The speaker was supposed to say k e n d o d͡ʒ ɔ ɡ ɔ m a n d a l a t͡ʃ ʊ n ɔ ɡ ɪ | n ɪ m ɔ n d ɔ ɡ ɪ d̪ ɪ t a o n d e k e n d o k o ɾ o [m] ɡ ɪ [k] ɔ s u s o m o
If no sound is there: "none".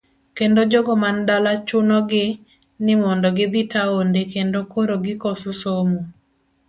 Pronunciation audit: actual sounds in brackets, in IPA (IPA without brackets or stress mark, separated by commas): none, k